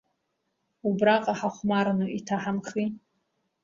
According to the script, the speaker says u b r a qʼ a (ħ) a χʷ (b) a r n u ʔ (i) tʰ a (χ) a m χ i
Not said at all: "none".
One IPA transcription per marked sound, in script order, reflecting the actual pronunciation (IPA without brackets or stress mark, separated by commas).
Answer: ħ, m, i, ħ